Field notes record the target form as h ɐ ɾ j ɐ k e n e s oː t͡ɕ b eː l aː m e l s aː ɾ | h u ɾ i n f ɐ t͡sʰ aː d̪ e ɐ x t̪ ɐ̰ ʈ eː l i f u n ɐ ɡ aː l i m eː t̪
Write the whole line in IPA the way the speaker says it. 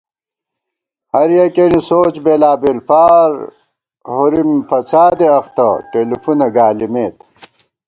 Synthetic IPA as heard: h ɐ ɾ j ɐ k e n i s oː t͡ɕ b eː l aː b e l f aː ɾ | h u ɾ i m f ɐ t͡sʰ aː d̪ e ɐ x t̪ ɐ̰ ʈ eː l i f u n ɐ ɡ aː l i m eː t̪